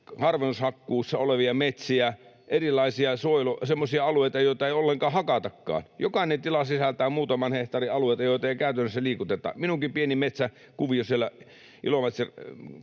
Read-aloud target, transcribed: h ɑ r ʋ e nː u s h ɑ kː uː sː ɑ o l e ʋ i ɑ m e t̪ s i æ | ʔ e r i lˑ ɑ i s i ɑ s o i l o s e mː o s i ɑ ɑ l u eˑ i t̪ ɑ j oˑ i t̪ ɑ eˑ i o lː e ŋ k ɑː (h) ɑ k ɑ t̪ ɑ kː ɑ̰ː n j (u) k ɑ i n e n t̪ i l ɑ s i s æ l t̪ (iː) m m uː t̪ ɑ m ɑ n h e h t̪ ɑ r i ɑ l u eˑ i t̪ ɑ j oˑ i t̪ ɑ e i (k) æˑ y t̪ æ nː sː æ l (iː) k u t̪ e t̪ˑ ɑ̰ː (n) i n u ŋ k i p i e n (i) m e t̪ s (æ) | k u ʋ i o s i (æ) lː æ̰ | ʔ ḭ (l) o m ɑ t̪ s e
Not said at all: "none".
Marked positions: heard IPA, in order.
h, o, æː, k, iː, m, i, æ, e, l

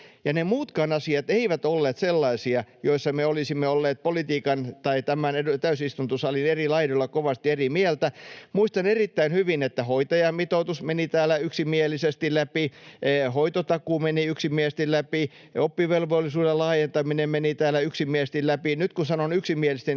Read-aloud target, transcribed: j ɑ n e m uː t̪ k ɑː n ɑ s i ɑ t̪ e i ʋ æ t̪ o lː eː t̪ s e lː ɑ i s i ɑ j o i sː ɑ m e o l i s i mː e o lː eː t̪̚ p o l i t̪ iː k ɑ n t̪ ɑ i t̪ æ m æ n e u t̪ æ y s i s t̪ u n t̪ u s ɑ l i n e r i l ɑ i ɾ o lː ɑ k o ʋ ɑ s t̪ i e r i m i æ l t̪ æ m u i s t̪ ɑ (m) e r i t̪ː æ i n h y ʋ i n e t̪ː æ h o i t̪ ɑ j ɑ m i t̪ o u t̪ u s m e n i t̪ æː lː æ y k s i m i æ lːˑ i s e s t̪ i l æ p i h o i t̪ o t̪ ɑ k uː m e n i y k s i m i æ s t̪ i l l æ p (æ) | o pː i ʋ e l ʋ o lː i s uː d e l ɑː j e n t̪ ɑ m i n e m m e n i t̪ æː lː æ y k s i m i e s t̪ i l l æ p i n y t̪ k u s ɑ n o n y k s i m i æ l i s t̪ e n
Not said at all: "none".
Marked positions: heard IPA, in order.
n, i

